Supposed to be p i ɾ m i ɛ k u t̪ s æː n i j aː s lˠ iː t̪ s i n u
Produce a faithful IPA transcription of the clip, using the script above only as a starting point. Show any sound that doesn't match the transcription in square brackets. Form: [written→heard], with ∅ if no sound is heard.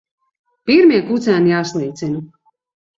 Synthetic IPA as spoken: p i ɾ m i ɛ k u t̪ s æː n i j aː s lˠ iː t̪ s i n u